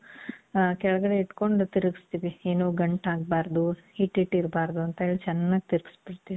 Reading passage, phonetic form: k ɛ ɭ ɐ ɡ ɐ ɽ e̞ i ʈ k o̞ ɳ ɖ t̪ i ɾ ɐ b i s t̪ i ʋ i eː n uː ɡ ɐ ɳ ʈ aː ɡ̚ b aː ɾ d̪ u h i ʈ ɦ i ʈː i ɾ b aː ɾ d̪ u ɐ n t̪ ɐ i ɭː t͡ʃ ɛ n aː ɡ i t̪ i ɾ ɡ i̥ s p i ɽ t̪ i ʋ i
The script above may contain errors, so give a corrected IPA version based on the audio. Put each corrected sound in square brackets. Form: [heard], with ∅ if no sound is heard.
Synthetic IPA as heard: k ɛ ɭ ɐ ɡ ɐ ɽ e̞ i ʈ k o̞ ɳ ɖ t̪ i ɾ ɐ [ɡ] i s t̪ i ʋ i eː n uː ɡ ɐ ɳ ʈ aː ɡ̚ b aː ɾ d̪ u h i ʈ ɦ i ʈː i ɾ b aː ɾ d̪ u ɐ n t̪ ɐ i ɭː t͡ʃ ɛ [nː] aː ɡ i t̪ i ɾ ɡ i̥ s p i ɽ t̪ i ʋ i